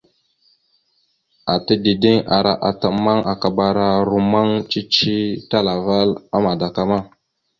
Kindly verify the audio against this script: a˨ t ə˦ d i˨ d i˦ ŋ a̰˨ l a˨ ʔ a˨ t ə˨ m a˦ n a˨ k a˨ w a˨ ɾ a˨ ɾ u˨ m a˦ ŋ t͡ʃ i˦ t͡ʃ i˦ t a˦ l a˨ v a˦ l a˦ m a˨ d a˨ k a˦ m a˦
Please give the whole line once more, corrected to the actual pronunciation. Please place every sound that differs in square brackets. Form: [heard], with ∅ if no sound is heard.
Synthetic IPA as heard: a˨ t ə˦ d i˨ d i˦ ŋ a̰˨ [ɾ] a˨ ʔ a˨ t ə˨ m a˦ [ŋ] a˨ k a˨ [b] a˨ ɾ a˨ ɾ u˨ m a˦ ŋ t͡ʃ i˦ t͡ʃ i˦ t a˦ l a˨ v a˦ l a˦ m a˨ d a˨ k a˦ m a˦